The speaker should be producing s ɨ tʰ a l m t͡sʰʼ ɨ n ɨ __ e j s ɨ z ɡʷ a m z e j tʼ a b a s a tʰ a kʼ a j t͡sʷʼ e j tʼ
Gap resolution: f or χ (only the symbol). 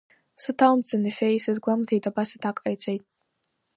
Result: f